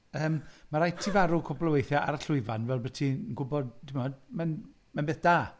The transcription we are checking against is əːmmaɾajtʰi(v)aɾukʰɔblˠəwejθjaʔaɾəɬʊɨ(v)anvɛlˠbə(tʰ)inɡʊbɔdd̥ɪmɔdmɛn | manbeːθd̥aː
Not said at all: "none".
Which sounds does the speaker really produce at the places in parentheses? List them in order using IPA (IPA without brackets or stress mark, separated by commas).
v, v, tʰ